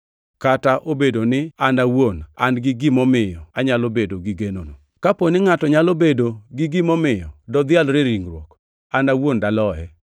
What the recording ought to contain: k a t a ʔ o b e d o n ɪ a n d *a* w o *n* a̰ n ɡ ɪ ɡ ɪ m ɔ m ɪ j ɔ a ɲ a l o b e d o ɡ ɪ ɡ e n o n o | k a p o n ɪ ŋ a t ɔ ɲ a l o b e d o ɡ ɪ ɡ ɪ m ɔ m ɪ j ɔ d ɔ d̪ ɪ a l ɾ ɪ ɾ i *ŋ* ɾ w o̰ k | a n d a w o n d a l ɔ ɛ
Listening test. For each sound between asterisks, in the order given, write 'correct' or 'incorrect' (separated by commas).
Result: correct, correct, correct